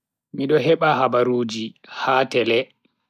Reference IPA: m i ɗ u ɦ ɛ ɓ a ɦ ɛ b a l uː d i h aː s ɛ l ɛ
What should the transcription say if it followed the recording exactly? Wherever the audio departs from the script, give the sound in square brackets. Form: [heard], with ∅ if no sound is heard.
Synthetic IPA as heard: m i ɗ [ɔ] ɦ ɛ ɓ a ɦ [a] b a [ɾ] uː [d͡ʒ] i h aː [t] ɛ l ɛ